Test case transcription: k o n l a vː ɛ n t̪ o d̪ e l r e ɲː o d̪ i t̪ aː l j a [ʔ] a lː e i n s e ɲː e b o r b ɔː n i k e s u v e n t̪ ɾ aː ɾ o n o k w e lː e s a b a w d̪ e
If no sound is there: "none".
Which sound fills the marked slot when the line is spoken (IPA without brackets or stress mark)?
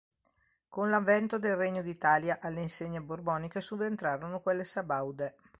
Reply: ʔ